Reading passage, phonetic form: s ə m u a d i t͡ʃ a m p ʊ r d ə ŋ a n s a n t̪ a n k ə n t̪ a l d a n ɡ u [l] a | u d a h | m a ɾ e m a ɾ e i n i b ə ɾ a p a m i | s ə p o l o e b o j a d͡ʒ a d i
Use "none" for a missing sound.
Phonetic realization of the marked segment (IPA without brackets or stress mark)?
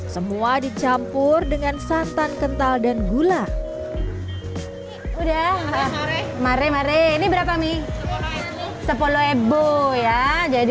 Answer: l